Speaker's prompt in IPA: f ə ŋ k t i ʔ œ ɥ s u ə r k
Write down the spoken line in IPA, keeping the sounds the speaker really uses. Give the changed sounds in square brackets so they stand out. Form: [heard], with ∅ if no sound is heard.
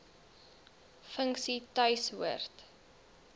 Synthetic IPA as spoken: f ə ŋ k [s] i [t] œ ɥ s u ə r [t]